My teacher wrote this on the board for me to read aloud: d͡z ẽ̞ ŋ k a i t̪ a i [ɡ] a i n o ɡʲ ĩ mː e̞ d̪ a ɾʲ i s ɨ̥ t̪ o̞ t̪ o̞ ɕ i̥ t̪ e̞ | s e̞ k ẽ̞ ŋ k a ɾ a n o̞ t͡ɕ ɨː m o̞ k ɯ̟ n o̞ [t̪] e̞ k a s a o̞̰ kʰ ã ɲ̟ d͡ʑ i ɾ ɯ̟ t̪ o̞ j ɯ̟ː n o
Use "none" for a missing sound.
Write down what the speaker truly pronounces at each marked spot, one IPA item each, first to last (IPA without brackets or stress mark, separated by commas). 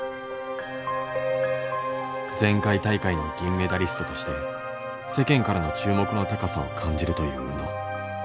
k, t̪